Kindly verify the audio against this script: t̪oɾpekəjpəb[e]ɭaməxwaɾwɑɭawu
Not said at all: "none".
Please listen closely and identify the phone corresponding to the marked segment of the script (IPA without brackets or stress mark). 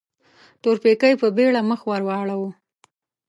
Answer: e